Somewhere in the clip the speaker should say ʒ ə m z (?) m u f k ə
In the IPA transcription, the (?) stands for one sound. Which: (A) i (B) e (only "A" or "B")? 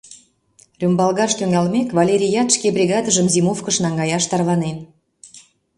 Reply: A